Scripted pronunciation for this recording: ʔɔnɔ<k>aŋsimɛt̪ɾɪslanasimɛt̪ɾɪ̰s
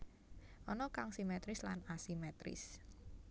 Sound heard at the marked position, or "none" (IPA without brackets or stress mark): k